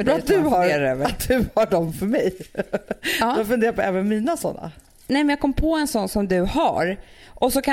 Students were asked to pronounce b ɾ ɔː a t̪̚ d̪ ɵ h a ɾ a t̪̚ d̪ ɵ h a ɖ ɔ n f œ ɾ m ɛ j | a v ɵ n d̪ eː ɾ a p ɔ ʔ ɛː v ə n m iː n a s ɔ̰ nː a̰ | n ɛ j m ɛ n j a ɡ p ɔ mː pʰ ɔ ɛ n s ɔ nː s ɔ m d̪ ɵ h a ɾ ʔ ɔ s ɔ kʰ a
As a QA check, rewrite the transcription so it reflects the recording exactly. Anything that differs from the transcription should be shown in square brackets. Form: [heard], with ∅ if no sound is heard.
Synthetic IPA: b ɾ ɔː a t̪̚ d̪ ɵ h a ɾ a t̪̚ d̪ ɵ h a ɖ ɔ [m] f œ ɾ m ɛ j | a [f] ɵ n d̪ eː ɾ a p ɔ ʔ ɛː v ə n m iː n a s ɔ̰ nː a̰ | n ɛ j m ɛ n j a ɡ [k] ɔ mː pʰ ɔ ɛ n s ɔ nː s ɔ m d̪ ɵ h a ɾ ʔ ɔ s ɔ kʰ a